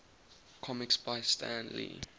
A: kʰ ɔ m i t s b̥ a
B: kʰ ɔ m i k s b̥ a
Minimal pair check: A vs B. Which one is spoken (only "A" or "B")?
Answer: B